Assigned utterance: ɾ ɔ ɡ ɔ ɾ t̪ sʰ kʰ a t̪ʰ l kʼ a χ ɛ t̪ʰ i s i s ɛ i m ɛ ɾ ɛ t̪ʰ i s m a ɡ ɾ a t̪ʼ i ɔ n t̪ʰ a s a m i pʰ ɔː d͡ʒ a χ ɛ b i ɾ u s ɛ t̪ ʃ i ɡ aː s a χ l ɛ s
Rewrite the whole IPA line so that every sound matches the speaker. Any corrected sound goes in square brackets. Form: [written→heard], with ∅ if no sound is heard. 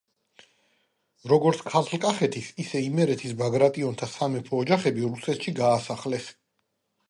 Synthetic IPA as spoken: ɾ ɔ ɡ ɔ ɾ t̪ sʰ kʰ a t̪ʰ l kʼ a χ ɛ t̪ʰ i s i s ɛ i m ɛ ɾ ɛ t̪ʰ i s [m→b] a ɡ ɾ a t̪ʼ i ɔ n t̪ʰ a s a m [i→ɛ] pʰ ɔː d͡ʒ a χ ɛ b i ɾ u s ɛ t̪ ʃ i ɡ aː s a χ l ɛ s